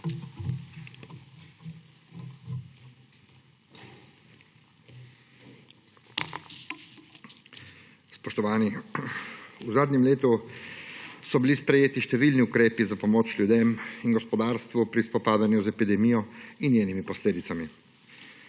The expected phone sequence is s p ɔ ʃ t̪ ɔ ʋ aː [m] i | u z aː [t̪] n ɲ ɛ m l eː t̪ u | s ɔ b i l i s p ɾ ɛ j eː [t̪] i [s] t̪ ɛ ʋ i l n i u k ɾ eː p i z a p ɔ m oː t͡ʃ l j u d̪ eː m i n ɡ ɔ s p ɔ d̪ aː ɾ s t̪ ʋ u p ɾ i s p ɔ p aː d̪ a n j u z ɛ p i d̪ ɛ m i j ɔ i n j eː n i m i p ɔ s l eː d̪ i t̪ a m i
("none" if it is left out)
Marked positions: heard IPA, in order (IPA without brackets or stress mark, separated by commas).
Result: n, d̪, t̪, ʃ